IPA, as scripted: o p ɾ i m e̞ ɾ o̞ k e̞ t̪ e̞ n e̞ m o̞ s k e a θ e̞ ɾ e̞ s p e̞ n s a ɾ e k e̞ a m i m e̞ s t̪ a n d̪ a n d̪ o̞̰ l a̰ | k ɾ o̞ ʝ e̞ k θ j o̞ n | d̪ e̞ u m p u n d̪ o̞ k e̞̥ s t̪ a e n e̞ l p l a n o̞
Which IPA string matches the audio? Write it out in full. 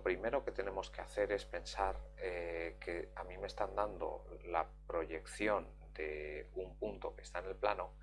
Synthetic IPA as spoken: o p ɾ i m e̞ ɾ o̞ k e̞ t̪ e̞ n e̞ m o̞ s k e a θ e̞ ɾ e̞ s p e̞ n s a ɾ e k e̞ a m i m e̞ s t̪ a n d̪ a n d̪ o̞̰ l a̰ | p ɾ o̞ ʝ e̞ k θ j o̞ n | d̪ e̞ u m p u n t̪ o̞ k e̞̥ s t̪ a e n e̞ l p l a n o̞